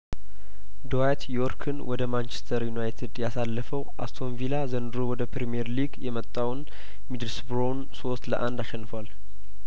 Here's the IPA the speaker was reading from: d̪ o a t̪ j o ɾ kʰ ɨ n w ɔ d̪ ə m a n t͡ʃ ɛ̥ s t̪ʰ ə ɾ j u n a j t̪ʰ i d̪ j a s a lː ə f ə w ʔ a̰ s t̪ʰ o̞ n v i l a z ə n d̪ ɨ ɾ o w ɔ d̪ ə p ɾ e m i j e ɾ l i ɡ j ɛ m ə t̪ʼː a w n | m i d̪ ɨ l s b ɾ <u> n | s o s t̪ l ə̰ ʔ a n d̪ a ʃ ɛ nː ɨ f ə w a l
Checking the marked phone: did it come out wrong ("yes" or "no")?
yes